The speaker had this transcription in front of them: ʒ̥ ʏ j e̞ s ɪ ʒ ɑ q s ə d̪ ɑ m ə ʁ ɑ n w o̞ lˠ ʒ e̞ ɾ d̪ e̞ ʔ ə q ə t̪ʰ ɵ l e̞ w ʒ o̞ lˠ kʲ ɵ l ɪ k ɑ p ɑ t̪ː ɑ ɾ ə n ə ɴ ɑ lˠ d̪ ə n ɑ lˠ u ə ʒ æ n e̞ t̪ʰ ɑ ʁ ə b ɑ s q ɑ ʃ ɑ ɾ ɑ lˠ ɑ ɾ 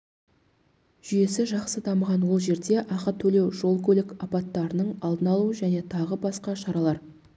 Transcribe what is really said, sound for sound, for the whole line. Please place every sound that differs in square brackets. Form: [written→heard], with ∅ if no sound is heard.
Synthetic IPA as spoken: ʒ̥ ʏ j e̞ s ɪ ʒ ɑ q s ə d̪ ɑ m ə ʁ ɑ n w o̞ lˠ ʒ e̞ ɾ d̪ e̞ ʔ [ə→ɑ] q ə t̪ʰ ɵ l e̞ w ʒ o̞ lˠ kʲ ɵ l ɪ k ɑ p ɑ t̪ː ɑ ɾ ə n ə ɴ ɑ lˠ d̪ ə n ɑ lˠ u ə ʒ æ n e̞ t̪ʰ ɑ ʁ ə b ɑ s q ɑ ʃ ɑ ɾ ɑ lˠ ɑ ɾ